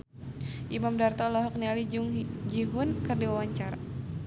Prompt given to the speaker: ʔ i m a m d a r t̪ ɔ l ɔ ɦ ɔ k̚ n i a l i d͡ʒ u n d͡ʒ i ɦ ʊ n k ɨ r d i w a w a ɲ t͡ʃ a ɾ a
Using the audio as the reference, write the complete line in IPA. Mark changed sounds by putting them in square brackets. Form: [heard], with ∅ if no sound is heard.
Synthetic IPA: ʔ i m a m d a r t̪ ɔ l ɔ ɦ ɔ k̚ n i a l i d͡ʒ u [ŋ] d͡ʒ i ɦ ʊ n k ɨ r d i w a w a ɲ t͡ʃ a ɾ a

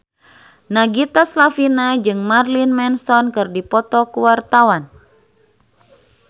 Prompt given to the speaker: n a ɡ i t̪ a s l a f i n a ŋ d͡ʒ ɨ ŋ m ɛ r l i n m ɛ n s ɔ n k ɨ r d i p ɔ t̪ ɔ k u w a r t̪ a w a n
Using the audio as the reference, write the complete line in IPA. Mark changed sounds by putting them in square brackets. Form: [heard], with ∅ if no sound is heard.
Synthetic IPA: n a ɡ i t̪ a s l a f i n a [∅] d͡ʒ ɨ ŋ m [a] r l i n m ɛ n s ɔ n k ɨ r d i p ɔ t̪ ɔ k u w a r t̪ a w a n

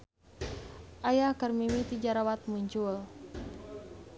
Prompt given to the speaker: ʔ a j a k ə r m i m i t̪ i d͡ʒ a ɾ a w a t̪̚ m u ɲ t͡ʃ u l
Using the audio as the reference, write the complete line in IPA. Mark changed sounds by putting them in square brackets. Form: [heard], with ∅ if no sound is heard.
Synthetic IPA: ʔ a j a k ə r m i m i t̪ i d͡ʒ a ɾ a w a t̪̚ m u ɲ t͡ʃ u l

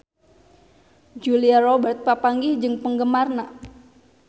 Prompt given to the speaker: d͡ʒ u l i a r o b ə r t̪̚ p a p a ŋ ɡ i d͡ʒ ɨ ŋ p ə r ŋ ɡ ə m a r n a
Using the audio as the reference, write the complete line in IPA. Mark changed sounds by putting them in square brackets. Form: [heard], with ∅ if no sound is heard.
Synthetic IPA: d͡ʒ u l i a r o b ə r t̪̚ p a p a ŋ ɡ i d͡ʒ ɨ ŋ p ə [∅] ŋ ɡ ə m a r n a

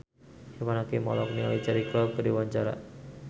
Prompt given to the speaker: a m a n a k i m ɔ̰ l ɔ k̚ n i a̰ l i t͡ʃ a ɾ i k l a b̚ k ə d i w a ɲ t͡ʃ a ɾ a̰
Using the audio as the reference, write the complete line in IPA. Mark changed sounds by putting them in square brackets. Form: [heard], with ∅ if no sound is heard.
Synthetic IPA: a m a n a k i m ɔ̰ l ɔ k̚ n i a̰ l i t͡ʃ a ɾ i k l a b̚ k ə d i w a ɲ t͡ʃ a ɾ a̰

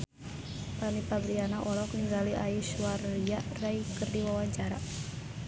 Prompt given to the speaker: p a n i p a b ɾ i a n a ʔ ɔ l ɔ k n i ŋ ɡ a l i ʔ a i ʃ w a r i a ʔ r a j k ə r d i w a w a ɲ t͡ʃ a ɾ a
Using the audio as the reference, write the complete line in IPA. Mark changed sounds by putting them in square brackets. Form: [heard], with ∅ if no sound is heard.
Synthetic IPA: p a n i p a b ɾ i a n a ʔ ɔ l ɔ k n i ŋ ɡ a l i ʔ a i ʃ w a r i a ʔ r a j k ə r d i w a w a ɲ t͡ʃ a ɾ a

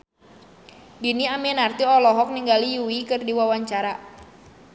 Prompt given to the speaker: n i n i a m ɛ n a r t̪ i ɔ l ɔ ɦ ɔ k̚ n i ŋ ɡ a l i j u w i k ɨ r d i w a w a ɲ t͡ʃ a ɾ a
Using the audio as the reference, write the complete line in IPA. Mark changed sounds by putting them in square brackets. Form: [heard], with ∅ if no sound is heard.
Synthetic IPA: [d] i n i a m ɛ n a r t̪ i ɔ l ɔ ɦ ɔ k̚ n i ŋ ɡ a l i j u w i k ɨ r d i w a w a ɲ t͡ʃ a ɾ a

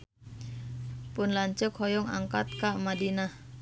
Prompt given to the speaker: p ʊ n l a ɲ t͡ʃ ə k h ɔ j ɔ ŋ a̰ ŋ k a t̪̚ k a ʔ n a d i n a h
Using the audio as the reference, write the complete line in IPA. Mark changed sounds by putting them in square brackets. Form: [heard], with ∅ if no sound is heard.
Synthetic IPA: p ʊ n l a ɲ t͡ʃ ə k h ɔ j ɔ ŋ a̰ ŋ k a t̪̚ k a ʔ [m] a d i n a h

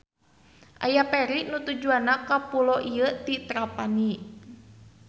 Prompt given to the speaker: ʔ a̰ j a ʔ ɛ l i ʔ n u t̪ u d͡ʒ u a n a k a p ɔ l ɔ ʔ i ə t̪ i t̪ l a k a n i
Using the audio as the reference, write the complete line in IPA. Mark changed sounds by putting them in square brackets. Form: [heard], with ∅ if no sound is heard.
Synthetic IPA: ʔ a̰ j a [p] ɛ [ɾ] i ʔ n u t̪ u d͡ʒ u a n a k a p [u] l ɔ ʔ i ə t̪ i t̪ [ɾ] a [p] a n i

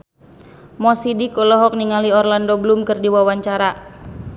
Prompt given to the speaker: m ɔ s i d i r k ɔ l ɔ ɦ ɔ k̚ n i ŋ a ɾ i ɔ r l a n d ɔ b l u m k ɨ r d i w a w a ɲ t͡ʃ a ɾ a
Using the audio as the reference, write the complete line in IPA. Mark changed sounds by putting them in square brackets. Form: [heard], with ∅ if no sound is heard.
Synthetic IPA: m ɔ s i d i [∅] k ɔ l ɔ ɦ ɔ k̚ n i ŋ a [l] i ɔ r l a n d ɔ b l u m k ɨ r d i w a w a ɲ t͡ʃ a ɾ a

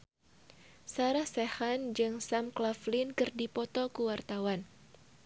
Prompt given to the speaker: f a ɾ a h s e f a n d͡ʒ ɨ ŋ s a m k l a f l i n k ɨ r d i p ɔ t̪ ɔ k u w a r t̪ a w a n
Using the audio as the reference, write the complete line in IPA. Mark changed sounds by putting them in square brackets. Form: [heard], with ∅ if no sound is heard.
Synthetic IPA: [s] a ɾ a h s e [h] a n d͡ʒ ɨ ŋ s a m k l a f l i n k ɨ r d i p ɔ t̪ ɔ k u w a r t̪ a w a n

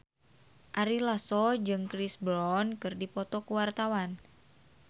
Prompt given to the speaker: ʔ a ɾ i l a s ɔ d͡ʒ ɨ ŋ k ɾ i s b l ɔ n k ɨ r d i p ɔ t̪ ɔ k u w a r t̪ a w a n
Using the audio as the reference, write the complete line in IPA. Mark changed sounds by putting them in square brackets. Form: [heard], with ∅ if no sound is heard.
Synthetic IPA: ʔ a ɾ i l a s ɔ d͡ʒ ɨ ŋ k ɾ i s b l ɔ n k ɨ r d i p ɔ t̪ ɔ k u w a r t̪ a w a n

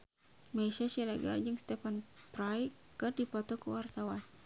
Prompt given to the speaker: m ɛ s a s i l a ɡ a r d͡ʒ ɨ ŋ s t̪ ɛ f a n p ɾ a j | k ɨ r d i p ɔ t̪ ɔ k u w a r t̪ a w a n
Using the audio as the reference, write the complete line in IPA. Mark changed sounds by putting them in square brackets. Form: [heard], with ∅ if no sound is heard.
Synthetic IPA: m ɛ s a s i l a ɡ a r d͡ʒ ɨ ŋ s t̪ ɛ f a n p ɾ a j | k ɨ r d i p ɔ t̪ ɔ k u w a r t̪ a w a n

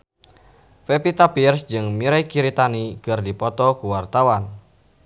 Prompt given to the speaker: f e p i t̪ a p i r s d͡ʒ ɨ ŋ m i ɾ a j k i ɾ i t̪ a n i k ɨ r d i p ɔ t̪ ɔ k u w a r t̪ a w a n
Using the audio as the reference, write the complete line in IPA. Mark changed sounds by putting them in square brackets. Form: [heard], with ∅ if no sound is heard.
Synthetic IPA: f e p i t̪ a p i r s d͡ʒ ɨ ŋ m i ɾ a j k i ɾ i t̪ a n i k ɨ r d i p ɔ t̪ ɔ k u w a r t̪ a w a n

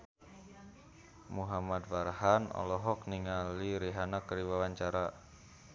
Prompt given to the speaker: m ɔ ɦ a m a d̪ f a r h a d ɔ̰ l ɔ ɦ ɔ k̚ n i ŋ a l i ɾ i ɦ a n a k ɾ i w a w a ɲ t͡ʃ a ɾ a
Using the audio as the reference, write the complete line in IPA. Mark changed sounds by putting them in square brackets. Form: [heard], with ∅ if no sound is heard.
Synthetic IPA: m [u] ɦ a m a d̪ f a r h a [n] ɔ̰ l ɔ ɦ ɔ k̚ n i ŋ a l i ɾ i ɦ a n a k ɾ i w a w a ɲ t͡ʃ a ɾ a

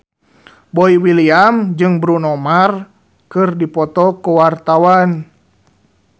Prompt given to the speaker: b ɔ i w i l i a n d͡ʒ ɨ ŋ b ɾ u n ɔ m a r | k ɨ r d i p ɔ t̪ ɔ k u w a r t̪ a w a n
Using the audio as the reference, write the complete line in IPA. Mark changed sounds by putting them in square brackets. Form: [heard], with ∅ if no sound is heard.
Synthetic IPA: b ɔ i w i l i a [m] d͡ʒ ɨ ŋ b ɾ u n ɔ m a r | k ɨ r d i p ɔ t̪ ɔ k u w a r t̪ a w a n

